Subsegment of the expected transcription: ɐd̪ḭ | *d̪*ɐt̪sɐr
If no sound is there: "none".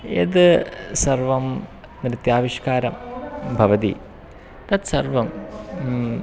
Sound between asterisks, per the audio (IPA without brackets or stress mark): t̪